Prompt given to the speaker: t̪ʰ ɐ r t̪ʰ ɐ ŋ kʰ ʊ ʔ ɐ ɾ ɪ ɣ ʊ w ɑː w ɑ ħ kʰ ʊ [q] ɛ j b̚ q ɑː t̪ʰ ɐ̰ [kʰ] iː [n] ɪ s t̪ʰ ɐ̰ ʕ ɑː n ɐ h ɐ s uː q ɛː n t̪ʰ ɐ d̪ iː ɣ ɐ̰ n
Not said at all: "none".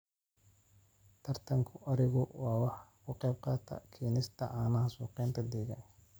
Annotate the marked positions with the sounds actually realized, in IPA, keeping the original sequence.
q, kʰ, n

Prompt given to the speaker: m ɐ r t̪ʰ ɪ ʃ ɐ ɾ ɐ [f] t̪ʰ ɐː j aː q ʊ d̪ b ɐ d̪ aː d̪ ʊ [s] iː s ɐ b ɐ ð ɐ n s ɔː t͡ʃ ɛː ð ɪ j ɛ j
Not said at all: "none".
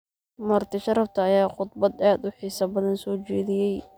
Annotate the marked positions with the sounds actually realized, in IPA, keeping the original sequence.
f, ħ

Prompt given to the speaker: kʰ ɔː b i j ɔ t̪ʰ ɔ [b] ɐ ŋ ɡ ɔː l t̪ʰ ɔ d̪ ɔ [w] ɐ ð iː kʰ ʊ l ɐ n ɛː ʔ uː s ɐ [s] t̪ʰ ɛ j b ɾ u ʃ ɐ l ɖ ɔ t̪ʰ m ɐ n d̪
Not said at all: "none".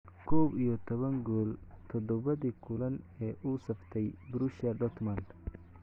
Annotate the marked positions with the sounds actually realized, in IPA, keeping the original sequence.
β, β, f

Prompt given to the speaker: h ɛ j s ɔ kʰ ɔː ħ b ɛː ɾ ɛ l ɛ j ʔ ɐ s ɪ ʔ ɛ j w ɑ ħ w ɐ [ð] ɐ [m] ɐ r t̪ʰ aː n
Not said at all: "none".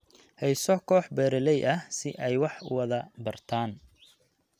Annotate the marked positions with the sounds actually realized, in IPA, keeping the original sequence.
ð, b

